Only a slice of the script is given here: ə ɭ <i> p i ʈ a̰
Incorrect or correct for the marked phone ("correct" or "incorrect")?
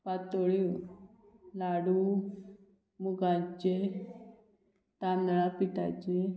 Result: incorrect